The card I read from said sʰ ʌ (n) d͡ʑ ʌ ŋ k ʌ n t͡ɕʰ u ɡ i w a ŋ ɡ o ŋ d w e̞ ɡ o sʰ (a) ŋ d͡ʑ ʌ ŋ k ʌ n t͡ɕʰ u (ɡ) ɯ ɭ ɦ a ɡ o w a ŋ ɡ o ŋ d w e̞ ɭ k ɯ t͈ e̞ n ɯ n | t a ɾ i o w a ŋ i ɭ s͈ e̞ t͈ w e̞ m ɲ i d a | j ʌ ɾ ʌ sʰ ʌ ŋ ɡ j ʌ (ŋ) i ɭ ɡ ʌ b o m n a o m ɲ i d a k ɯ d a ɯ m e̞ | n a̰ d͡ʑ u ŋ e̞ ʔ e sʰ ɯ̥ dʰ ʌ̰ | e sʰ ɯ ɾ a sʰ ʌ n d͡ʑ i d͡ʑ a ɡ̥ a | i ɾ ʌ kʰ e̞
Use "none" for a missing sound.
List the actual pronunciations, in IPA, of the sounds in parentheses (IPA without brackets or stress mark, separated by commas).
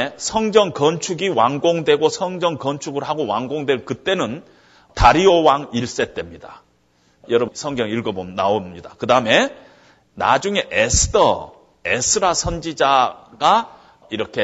ŋ, ʌ, ɡ, ŋ